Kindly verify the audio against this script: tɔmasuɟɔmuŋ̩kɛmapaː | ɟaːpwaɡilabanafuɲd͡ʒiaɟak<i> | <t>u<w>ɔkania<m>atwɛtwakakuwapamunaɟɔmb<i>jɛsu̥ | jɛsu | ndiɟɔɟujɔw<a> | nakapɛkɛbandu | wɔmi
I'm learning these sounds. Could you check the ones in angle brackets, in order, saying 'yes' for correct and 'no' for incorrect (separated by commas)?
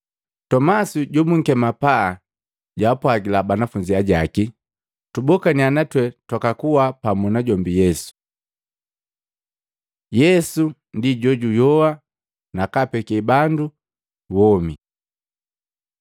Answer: yes, yes, no, no, yes, yes